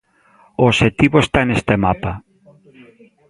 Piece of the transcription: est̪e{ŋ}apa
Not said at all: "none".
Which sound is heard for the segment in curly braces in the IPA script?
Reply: m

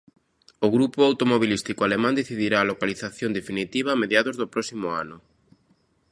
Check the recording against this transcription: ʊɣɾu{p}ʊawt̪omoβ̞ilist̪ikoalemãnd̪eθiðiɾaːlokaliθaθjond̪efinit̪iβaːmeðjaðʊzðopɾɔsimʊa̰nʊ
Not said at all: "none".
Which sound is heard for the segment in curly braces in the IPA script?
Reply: p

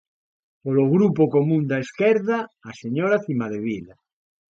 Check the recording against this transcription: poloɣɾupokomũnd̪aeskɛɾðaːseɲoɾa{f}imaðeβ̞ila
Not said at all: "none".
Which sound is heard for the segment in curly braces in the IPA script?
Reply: θ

